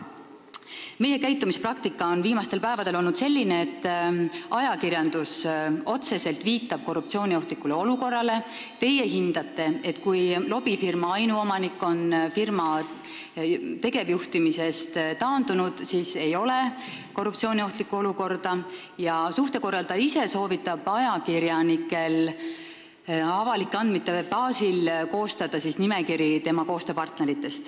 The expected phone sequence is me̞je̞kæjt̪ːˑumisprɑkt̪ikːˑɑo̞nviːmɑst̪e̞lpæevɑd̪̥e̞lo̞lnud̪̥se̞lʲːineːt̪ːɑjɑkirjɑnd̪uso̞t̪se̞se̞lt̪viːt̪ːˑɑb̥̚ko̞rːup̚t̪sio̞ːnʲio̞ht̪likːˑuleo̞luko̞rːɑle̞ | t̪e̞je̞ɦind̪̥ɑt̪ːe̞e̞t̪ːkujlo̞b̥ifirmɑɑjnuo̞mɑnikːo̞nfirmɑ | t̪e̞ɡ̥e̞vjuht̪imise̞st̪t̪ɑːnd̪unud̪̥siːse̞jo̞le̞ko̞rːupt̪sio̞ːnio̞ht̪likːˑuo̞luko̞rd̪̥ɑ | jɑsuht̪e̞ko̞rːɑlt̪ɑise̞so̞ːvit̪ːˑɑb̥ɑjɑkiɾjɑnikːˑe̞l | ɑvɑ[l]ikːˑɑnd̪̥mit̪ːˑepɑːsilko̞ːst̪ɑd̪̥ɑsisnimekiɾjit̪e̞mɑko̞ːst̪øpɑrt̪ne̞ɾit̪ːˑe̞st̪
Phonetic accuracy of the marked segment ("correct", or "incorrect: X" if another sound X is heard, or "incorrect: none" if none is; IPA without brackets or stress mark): correct